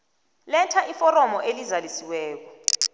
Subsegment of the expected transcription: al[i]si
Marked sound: correct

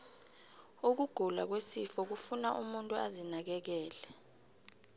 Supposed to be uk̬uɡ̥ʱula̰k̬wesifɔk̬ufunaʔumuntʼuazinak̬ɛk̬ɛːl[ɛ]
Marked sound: correct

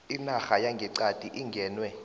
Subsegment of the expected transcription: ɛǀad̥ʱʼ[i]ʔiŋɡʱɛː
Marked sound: correct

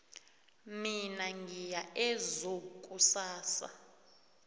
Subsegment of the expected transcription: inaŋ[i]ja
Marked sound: correct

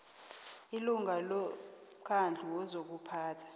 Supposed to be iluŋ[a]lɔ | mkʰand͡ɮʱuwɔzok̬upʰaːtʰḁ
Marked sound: correct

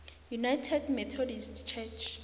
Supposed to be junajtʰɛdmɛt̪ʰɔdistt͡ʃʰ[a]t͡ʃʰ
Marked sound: incorrect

